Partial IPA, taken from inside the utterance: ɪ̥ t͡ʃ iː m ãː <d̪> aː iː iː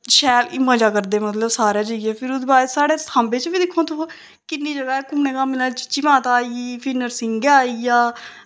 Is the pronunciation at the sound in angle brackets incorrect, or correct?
incorrect